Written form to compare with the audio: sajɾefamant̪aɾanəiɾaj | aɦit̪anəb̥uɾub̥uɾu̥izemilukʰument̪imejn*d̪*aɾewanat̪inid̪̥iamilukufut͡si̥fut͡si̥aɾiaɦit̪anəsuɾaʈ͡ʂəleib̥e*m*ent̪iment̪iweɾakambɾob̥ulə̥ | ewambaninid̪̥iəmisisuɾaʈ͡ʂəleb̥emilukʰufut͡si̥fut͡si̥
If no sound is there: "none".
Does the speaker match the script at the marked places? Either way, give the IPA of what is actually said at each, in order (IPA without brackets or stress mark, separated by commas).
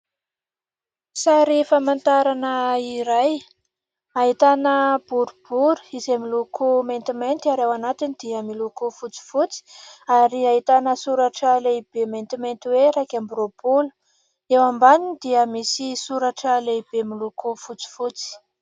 t̪, m